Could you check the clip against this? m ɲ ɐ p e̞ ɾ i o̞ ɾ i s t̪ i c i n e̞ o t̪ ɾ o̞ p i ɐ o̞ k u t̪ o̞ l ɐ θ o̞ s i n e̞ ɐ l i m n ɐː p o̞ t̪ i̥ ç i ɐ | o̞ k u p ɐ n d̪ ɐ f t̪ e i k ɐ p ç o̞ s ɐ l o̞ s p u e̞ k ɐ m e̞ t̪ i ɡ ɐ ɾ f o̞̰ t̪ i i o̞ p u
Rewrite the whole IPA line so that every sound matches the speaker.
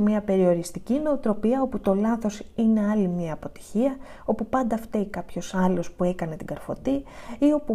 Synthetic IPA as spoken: m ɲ ɐ p e̞ ɾ i o̞ ɾ i s t̪ i c i n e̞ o t̪ ɾ o̞ p i ɐ o̞ p u t̪ o̞ l ɐ θ o̞ s i n e̞ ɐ l i m ɲ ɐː p o̞ t̪ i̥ ç i ɐ | o̞ p u p ɐ n d̪ ɐ f t̪ e i k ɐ p ç o̞ s ɐ l o̞ s p u e̞ k ɐ n e̞ t̪ i ɡ ɐ ɾ f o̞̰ t̪ i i o̞ p u